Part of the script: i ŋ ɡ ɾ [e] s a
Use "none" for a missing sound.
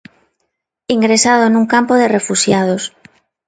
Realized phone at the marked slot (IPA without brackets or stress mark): e